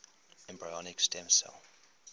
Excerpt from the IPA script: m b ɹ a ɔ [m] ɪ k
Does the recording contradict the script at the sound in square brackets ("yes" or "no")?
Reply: yes